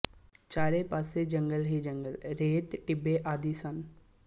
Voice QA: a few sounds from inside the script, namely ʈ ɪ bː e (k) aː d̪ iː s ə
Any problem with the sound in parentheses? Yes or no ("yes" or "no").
yes